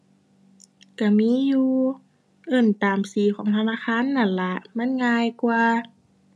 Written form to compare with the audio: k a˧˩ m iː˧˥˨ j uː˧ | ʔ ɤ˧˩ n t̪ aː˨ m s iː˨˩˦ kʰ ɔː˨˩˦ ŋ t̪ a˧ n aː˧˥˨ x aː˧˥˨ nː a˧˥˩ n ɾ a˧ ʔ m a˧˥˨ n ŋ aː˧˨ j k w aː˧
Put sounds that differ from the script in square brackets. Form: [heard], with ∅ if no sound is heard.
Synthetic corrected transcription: k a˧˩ m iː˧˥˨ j uː˧ | ʔ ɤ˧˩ n t̪ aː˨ m s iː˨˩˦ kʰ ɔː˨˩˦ ŋ [t̪ʰ] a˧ n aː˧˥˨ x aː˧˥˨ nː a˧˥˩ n [l] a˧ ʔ m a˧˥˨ n ŋ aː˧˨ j k w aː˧